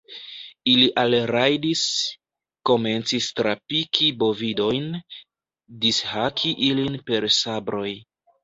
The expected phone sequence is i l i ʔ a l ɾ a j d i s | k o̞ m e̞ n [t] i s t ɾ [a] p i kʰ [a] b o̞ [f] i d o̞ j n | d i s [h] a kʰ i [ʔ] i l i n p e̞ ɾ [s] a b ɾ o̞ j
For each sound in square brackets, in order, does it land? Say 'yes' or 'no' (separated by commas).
no, yes, no, no, yes, yes, yes